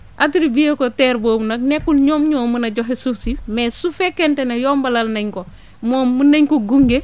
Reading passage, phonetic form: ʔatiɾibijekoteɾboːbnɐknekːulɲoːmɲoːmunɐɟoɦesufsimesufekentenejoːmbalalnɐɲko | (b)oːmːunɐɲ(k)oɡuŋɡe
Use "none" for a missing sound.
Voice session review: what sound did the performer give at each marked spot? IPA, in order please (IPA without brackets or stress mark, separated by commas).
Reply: m, k